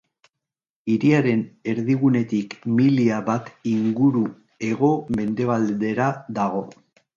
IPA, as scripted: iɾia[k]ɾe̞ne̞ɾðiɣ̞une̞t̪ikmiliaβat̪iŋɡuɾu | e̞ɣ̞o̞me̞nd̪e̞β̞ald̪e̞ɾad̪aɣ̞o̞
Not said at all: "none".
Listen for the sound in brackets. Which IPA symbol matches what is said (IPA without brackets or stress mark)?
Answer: none